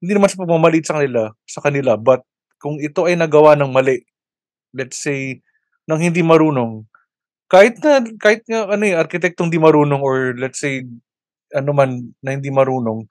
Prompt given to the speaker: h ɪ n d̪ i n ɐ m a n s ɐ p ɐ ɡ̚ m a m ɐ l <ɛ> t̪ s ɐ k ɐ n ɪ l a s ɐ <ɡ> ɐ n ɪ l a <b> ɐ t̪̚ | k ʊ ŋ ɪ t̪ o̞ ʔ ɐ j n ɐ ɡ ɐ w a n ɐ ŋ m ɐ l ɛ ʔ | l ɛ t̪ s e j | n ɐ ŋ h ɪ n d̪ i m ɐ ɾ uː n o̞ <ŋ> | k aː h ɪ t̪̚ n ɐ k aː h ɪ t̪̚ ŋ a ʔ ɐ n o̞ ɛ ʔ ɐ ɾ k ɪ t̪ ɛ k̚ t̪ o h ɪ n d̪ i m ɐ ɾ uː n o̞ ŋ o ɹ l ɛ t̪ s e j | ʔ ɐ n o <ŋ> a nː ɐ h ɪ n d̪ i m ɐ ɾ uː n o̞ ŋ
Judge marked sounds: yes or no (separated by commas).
no, no, yes, yes, no